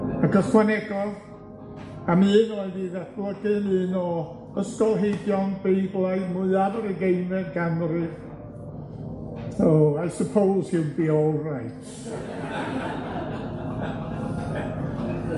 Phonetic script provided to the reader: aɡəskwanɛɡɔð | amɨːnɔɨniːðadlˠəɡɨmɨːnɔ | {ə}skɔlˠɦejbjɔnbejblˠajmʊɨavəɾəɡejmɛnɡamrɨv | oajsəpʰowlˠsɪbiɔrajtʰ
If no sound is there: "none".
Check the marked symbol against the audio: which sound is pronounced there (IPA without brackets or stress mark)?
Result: ə